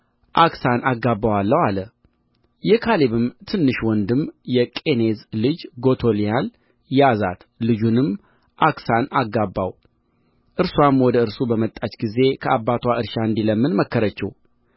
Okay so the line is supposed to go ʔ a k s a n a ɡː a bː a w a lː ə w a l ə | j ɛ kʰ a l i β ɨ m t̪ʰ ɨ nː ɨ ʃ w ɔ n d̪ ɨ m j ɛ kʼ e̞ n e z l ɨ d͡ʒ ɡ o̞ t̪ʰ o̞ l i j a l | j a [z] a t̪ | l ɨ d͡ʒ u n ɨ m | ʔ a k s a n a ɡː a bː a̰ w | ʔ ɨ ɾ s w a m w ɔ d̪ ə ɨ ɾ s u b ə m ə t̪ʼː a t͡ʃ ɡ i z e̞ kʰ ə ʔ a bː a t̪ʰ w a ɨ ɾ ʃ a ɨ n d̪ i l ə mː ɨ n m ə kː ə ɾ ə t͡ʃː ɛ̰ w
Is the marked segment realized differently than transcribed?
no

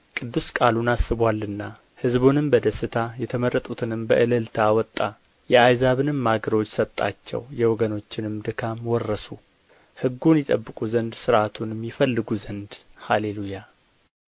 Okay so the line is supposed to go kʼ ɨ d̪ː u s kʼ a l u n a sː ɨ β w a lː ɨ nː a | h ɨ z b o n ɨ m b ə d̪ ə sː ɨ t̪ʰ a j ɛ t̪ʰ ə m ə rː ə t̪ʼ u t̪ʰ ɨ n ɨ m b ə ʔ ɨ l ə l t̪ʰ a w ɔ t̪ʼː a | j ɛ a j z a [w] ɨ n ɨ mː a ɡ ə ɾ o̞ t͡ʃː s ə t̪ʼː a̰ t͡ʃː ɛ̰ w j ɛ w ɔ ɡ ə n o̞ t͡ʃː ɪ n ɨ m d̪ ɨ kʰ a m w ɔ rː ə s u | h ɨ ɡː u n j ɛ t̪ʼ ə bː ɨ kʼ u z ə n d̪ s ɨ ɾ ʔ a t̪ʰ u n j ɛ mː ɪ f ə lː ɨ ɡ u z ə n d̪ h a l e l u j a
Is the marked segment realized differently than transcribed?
yes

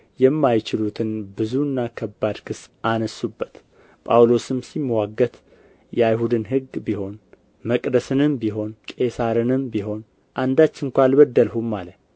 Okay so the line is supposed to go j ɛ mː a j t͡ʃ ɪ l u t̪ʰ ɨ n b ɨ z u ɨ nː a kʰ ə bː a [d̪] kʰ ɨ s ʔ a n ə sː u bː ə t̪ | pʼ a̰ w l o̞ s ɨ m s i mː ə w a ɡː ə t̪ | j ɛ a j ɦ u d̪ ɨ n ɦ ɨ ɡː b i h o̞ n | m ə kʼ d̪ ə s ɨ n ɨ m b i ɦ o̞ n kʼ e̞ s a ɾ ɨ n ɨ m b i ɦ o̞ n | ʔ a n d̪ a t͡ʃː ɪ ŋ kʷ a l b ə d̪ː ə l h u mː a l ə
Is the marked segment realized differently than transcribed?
no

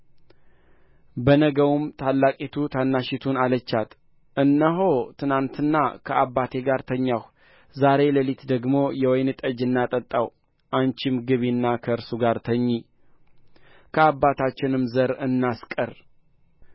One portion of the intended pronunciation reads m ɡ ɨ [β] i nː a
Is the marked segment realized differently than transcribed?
no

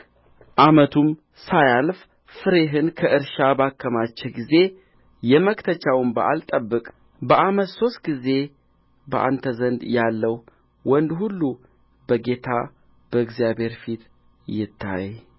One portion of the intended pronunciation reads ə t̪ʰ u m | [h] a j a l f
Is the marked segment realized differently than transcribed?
yes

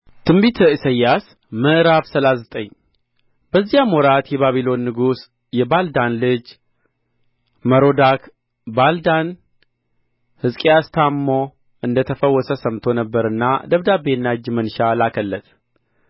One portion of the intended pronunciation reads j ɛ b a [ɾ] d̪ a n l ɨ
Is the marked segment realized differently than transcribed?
yes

